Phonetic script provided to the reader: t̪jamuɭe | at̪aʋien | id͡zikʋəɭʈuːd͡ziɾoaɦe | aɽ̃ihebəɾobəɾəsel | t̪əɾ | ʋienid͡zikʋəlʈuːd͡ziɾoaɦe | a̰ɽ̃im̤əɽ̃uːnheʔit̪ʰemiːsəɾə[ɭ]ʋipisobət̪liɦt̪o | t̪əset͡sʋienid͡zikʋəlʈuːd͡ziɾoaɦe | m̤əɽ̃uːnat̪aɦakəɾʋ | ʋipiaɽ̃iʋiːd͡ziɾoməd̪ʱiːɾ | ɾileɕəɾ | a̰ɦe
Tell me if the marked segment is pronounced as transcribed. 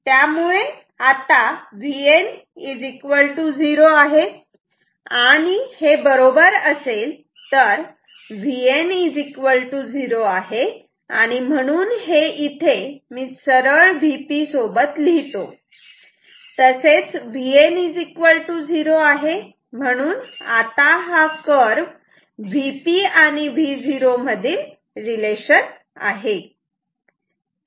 yes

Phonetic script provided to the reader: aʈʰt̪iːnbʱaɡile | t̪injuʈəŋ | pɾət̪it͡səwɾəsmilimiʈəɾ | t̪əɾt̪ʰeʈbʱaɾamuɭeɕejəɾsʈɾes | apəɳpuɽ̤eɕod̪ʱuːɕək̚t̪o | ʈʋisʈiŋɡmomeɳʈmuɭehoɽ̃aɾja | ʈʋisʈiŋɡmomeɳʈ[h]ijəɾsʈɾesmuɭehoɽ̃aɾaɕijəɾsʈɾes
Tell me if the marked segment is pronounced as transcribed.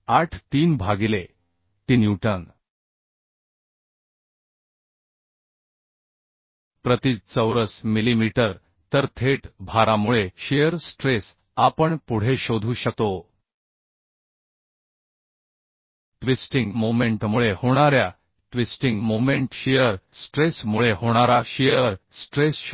no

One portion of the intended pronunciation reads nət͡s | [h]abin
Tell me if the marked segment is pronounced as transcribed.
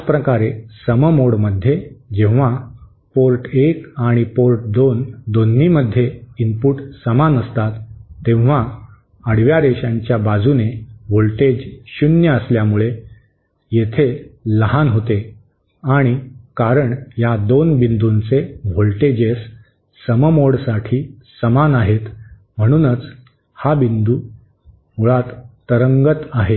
yes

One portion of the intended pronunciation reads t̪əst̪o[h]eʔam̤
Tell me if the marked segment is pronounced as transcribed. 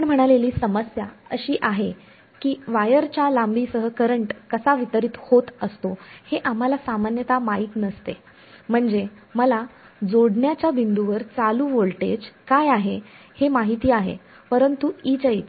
yes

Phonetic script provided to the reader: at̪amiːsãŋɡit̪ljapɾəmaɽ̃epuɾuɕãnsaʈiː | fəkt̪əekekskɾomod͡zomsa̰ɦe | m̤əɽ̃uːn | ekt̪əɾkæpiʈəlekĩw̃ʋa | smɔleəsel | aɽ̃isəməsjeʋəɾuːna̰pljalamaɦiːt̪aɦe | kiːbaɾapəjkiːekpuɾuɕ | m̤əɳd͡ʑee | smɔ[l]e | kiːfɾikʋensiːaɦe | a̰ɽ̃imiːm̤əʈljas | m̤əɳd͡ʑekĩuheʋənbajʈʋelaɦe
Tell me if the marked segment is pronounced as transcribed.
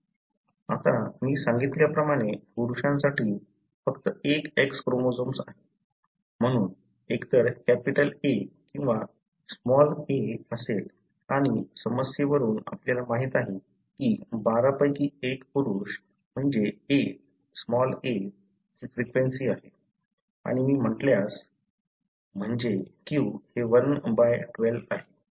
yes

